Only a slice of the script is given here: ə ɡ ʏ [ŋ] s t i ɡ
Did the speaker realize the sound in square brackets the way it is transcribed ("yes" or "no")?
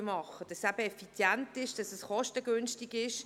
no